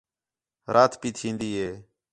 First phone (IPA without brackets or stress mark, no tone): ɾ